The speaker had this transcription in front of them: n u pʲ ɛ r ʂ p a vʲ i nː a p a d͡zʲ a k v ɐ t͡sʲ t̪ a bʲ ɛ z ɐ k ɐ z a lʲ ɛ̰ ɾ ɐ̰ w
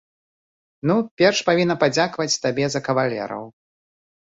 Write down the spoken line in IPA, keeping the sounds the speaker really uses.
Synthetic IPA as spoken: n u pʲ ɛ r ʂ p a vʲ i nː ɐ p a d͡zʲ a k v ɐ t͡sʲ t̪ a bʲ ɛ z ɐ k ɐ v a lʲ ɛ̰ ɾ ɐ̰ w

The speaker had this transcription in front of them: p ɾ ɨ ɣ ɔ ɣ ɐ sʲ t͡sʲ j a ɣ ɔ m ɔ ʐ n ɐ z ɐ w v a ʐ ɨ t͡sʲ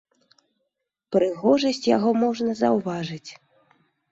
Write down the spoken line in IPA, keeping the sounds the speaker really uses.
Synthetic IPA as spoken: p ɾ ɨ ɣ ɔ ʐ ɐ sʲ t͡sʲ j a ɣ ɔ m ɔ ʐ n ɐ z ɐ w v a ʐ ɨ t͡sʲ

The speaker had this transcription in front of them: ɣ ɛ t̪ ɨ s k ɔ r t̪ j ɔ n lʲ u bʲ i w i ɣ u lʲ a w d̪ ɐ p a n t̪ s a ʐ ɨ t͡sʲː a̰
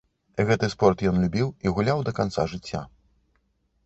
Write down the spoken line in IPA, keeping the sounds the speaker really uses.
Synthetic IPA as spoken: ɣ ɛ t̪ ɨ s p ɔ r t̪ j ɔ n lʲ u bʲ i w i ɣ u lʲ a w d̪ ɐ k a n t̪ s a ʐ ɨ t͡sʲː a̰

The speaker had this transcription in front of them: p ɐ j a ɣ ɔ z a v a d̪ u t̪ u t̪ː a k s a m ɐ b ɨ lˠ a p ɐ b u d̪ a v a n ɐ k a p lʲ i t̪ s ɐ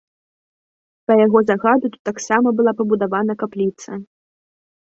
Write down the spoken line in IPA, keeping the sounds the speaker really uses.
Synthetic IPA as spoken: p ɐ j a ɣ ɔ z a ɣ a d̪ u t̪ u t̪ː a k s a m ɐ b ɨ lˠ a p ɐ b u d̪ a v a n ɐ k a p lʲ i t̪ s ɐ

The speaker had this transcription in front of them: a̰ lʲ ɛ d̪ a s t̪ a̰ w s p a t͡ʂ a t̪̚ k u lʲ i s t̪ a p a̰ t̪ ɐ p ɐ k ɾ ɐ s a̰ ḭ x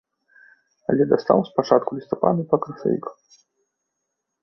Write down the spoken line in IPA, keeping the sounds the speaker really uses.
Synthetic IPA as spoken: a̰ lʲ ɛ d̪ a s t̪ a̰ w s p a t͡ʂ a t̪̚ k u lʲ i s t̪ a p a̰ d̪ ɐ p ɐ k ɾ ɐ s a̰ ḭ k

